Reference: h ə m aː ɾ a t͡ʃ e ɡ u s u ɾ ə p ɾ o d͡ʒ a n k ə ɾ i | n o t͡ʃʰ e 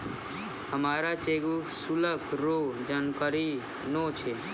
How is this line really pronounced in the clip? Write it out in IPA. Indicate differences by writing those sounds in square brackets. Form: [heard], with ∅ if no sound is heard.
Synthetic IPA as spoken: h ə m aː ɾ a t͡ʃ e ɡ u s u [l] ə [k] ɾ o d͡ʒ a n k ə ɾ i | n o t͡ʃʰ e